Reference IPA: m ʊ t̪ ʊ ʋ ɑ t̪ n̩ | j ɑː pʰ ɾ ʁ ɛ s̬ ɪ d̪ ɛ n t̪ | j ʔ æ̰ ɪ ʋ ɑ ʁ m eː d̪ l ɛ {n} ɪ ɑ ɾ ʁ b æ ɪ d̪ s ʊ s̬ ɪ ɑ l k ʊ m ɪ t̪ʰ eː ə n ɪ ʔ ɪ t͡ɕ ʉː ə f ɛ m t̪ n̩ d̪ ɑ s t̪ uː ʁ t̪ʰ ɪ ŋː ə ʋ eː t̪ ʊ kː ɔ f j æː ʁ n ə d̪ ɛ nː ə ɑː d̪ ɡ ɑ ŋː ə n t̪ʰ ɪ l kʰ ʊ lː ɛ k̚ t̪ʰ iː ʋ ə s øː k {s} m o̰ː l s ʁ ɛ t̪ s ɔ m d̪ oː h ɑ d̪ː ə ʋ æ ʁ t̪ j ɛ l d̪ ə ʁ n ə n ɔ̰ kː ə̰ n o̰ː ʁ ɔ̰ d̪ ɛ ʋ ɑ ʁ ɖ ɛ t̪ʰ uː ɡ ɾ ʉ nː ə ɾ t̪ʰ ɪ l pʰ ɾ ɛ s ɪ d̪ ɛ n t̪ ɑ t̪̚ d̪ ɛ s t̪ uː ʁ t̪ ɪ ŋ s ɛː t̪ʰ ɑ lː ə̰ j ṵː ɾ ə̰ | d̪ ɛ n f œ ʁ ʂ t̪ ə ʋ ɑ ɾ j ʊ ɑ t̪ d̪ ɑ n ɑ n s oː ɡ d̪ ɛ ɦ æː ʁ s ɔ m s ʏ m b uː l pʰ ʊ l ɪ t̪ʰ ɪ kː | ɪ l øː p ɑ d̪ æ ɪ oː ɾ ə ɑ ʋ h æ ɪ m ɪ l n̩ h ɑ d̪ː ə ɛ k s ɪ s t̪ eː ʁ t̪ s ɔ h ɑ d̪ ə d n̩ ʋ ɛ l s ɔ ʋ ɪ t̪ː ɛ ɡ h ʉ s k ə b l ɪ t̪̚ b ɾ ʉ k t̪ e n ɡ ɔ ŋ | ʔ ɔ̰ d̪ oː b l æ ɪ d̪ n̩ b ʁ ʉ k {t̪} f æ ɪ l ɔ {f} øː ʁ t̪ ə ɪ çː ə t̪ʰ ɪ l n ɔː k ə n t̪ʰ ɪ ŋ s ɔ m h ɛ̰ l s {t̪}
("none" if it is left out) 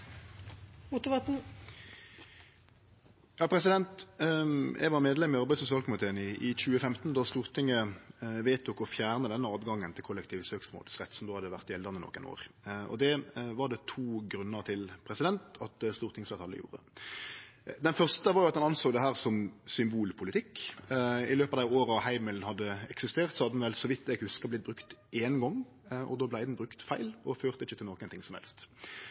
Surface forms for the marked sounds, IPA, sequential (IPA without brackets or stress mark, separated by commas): m, s, t̪, f, t̪